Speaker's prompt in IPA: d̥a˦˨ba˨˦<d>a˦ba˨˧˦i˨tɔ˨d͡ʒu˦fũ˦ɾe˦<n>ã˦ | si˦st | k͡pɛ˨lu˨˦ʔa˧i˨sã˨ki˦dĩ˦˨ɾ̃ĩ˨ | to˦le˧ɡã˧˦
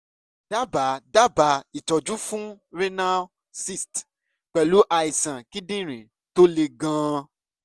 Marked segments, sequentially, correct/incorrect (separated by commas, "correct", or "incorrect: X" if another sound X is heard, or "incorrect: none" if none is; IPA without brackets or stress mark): correct, correct